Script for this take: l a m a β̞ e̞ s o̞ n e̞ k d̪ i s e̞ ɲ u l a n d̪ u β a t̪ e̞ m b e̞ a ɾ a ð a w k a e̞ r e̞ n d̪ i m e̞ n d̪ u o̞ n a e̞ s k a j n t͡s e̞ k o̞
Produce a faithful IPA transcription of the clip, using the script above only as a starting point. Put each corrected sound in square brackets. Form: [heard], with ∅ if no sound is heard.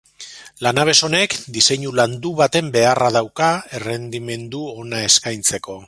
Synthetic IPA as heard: l a [n] a β̞ e̞ s o̞ n e̞ k d̪ i s e̞ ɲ u l a n d̪ u β a t̪ e̞ m b e̞ a [r] a ð a w k a e̞ r e̞ n d̪ i m e̞ n d̪ u o̞ n a e̞ s k a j n t͡s e̞ k o̞